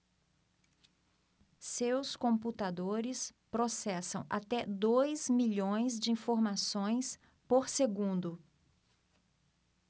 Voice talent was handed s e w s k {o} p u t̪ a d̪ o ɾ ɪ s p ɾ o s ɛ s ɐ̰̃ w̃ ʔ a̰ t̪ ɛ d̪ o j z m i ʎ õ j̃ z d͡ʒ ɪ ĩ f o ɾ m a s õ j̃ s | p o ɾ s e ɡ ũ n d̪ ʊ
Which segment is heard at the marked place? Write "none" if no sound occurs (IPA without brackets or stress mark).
õ